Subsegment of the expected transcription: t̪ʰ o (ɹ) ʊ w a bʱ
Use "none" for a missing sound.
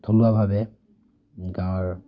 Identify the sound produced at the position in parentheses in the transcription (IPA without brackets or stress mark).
l